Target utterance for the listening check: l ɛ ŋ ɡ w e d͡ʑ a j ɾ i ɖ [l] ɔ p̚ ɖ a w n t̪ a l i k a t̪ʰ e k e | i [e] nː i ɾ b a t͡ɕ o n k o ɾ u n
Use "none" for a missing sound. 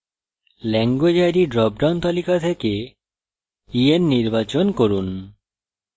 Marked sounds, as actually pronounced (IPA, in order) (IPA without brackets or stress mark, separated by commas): ɾ, e